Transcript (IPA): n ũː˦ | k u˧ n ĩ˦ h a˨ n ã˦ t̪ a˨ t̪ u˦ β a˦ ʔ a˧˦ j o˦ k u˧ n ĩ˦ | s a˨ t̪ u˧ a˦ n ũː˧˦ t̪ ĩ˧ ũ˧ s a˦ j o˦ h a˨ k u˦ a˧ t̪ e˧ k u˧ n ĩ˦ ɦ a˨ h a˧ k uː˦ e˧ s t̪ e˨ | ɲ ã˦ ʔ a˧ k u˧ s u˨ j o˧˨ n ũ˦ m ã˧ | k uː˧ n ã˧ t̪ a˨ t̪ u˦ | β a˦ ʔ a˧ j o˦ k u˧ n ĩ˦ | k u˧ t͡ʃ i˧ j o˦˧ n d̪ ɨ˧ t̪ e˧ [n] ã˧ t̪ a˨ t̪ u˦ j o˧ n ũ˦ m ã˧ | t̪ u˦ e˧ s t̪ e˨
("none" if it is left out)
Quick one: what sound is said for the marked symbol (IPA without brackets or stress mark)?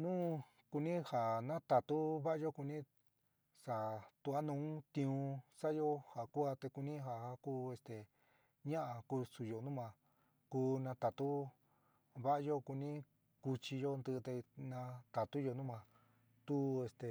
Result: n